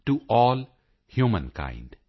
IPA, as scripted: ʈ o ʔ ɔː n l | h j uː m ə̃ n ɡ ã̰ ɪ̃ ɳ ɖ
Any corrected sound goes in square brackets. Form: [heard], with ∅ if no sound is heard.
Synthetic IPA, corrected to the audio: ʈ [u] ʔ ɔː [∅] l | h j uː m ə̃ n [k] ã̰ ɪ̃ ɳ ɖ